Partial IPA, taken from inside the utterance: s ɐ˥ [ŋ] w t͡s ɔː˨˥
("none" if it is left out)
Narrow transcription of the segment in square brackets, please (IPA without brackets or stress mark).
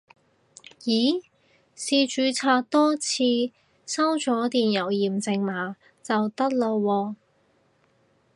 none